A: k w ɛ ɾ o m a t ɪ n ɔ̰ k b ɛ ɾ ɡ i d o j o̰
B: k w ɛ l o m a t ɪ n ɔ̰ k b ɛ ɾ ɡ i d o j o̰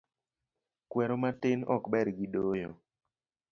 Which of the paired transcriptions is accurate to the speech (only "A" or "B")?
A